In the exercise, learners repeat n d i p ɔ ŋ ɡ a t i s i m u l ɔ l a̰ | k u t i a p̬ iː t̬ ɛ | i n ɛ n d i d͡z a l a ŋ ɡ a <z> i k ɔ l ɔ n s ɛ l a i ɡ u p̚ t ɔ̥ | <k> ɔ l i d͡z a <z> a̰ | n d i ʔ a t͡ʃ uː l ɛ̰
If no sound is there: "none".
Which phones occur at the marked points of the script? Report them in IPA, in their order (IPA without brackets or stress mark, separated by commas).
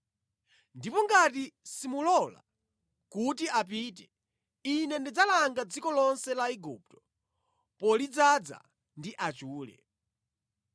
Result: d͡z, p, d͡z